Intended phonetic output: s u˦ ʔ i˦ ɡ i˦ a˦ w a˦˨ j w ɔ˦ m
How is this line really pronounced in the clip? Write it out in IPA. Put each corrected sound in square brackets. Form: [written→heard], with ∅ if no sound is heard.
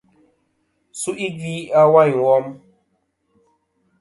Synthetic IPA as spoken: s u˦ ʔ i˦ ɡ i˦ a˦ w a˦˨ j w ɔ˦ m